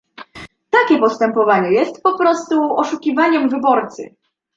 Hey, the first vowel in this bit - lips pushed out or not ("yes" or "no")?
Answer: no